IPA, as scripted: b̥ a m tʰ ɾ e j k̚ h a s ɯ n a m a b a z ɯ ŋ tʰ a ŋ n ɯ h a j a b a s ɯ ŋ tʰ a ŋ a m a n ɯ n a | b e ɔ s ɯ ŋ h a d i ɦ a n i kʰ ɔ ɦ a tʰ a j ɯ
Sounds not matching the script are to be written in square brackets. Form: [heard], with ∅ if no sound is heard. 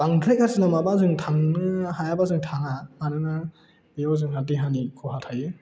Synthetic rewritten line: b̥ a [ŋ] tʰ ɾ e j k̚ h a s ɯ n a m a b a z ɯ ŋ tʰ a ŋ n ɯ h a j a b a [z] ɯ ŋ tʰ a ŋ a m a n ɯ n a | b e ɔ [z] ɯ ŋ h a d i ɦ a n i kʰ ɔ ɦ a tʰ a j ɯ